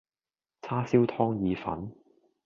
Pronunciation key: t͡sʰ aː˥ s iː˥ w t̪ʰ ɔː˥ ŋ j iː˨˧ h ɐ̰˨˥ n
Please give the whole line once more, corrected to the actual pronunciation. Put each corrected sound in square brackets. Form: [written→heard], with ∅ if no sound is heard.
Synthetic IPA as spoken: t͡sʰ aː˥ s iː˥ w t̪ʰ ɔː˥ ŋ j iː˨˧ [h→f] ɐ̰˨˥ n